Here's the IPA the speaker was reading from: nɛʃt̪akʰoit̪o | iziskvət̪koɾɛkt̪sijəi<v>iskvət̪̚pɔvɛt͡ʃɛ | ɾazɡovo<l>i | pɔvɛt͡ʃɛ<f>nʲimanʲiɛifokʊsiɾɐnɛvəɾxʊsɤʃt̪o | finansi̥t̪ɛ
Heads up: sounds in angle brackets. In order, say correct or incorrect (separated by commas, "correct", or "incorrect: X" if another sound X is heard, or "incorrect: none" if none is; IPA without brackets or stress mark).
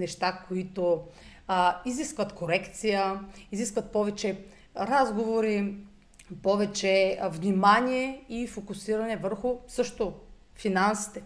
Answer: incorrect: z, incorrect: ɾ, incorrect: v